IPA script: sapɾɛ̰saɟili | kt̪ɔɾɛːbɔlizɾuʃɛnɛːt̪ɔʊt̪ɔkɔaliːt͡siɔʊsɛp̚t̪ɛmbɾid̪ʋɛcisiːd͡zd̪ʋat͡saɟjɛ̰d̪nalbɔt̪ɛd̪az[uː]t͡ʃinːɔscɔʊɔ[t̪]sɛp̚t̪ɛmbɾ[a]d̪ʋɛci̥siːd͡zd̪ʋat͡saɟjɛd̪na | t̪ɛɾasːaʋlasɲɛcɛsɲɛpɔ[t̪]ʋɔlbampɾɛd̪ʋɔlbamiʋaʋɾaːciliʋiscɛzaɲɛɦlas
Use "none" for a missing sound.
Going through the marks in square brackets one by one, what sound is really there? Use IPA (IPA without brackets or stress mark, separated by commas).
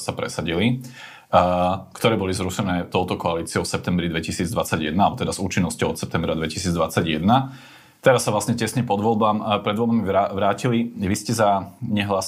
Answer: uː, t̪, a, d̪